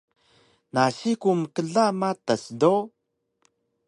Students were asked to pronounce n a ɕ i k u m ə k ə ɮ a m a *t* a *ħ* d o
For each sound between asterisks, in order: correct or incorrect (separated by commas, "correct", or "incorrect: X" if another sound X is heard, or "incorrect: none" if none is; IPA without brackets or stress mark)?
correct, incorrect: s